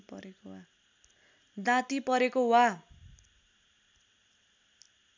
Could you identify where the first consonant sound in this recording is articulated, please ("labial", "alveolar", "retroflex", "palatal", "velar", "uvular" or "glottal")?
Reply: labial